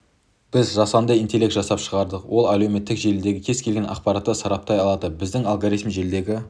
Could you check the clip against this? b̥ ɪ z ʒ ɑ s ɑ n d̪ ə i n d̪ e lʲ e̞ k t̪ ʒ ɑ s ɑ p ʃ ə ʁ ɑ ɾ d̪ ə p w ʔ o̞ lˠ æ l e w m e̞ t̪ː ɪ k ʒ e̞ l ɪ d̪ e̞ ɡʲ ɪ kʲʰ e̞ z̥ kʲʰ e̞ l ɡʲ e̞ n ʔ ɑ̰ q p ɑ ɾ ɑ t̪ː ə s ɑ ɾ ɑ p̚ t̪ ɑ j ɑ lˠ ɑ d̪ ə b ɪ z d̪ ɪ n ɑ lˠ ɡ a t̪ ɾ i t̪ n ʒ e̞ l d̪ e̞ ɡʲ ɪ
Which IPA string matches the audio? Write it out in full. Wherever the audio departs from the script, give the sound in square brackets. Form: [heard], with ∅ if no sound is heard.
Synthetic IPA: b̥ ɪ z ʒ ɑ s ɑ n d̪ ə i n [t̪] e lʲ e̞ k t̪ ʒ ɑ s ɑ p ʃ ə ʁ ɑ ɾ d̪ ə [q] w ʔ o̞ lˠ æ l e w m e̞ t̪ː ɪ k ʒ e̞ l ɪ d̪ e̞ ɡʲ ɪ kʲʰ e̞ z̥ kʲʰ e̞ l ɡʲ e̞ n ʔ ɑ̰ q p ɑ ɾ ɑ t̪ː ə s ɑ ɾ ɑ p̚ t̪ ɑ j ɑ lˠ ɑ d̪ ə b ɪ z d̪ ɪ [ŋ] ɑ lˠ ɡ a [∅] ɾ i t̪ [m] ʒ e̞ l d̪ e̞ ɡʲ ɪ